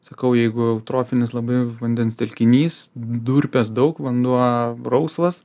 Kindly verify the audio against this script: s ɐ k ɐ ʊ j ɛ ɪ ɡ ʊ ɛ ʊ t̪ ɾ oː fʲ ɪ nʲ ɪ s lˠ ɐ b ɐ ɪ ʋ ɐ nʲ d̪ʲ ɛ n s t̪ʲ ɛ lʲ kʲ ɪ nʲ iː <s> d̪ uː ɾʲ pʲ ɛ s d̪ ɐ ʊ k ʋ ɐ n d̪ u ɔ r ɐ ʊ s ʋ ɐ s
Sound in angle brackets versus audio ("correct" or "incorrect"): correct